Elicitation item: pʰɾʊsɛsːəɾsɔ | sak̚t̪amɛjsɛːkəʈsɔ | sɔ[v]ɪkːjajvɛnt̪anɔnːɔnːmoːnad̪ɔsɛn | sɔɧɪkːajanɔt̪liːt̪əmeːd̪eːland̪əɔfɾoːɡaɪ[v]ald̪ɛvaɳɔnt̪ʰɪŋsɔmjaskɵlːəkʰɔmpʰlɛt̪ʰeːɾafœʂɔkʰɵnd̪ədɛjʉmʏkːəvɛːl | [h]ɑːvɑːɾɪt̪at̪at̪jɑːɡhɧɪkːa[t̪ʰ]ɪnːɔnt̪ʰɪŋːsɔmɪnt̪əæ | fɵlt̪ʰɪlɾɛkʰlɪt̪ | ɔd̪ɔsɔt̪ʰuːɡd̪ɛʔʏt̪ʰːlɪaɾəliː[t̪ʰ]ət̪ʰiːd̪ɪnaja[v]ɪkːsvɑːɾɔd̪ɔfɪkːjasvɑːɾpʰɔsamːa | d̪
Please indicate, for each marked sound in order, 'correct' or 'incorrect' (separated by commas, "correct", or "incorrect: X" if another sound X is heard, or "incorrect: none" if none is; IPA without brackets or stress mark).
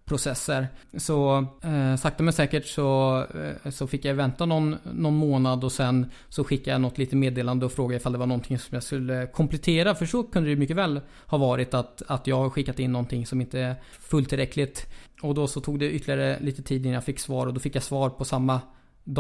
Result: incorrect: f, incorrect: f, correct, incorrect: t̪, incorrect: t̪, incorrect: f